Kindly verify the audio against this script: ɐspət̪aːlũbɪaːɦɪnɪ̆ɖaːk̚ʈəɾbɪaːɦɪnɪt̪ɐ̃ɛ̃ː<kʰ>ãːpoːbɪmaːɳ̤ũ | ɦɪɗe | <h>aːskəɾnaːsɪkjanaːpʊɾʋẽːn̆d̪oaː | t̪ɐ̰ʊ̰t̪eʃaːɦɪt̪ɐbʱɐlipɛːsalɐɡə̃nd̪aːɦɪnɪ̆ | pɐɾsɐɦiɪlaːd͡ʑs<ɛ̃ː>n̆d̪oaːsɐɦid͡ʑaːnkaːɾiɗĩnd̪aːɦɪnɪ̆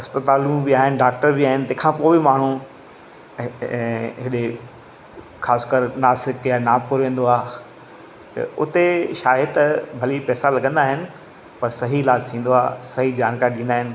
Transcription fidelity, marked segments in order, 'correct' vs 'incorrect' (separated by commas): correct, incorrect, incorrect